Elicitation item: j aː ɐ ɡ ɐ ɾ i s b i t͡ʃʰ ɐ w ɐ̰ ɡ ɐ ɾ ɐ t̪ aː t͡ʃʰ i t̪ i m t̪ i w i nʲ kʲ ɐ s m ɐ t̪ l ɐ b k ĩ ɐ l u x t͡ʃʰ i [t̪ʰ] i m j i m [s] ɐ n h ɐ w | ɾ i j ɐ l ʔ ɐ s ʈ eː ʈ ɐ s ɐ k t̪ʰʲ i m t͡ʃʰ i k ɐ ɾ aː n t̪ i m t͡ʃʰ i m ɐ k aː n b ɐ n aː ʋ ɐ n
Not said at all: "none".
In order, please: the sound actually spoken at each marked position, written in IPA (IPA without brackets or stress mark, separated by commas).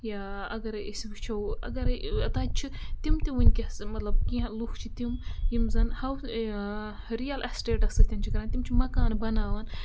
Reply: t̪, z